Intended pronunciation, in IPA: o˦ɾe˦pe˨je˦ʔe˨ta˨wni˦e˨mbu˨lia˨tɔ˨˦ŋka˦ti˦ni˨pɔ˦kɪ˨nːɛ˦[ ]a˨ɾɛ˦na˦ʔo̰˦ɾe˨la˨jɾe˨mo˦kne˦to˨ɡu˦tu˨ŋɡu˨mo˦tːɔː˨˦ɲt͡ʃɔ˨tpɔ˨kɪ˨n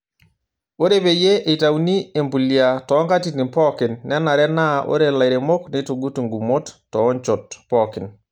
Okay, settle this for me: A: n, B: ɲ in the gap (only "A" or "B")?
A